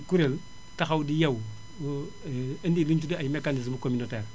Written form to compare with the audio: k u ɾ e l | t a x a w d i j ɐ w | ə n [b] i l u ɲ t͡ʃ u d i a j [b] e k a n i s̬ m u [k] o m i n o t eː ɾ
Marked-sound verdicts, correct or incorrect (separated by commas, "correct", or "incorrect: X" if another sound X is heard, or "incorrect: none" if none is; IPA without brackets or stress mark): incorrect: d, incorrect: m, correct